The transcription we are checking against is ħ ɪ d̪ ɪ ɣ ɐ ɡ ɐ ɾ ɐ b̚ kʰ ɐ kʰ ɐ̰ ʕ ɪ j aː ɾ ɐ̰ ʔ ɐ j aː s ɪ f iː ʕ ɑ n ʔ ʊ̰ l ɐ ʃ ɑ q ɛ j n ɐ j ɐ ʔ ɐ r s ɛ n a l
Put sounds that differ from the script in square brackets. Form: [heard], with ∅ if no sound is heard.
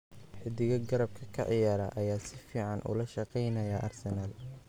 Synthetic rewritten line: ħ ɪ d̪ ɪ ɣ ɐ ɡ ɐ ɾ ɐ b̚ kʰ ɐ kʰ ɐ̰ ʕ ɪ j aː ɾ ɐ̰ ʔ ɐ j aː s ɪ f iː ʕ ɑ n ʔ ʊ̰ l ɐ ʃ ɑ q ɛ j n ɐ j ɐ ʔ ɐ r s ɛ n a l